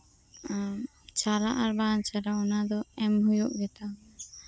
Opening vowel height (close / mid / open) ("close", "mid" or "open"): open